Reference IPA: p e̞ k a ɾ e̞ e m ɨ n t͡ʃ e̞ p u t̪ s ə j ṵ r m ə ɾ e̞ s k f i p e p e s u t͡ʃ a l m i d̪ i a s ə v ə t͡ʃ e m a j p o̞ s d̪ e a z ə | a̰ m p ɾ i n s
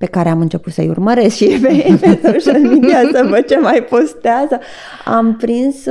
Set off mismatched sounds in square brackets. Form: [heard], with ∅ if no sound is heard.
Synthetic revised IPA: p e̞ k a ɾ e̞ [a] m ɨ n t͡ʃ e̞ p u t̪ s ə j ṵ r m ə ɾ e̞ s k [ʃ] i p e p e s [o] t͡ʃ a l m i d̪ i a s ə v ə t͡ʃ e m a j p o̞ s [t̪] e a z ə | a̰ m p ɾ i n s